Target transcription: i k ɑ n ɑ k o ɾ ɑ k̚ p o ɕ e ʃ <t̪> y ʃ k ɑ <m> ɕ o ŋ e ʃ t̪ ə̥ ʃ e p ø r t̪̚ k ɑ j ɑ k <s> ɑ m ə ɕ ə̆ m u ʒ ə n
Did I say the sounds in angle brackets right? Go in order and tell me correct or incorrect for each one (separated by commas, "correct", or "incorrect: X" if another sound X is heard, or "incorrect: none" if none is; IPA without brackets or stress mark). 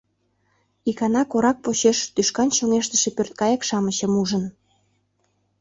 correct, incorrect: n, incorrect: ʃ